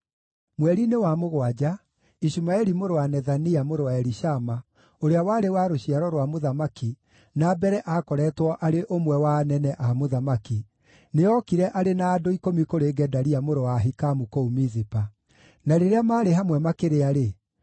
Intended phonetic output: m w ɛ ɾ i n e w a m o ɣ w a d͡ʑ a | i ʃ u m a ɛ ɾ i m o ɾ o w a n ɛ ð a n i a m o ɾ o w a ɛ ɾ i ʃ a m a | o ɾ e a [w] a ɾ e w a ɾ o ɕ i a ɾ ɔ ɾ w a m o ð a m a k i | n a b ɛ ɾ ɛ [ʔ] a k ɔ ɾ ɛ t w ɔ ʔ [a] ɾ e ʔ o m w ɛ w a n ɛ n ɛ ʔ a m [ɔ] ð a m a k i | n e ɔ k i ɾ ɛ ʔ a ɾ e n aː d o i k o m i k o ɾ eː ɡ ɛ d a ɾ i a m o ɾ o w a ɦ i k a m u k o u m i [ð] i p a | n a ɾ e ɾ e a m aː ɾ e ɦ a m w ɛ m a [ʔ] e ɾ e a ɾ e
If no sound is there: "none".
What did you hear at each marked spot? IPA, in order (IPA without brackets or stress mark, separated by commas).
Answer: w, ʔ, a, o, z, k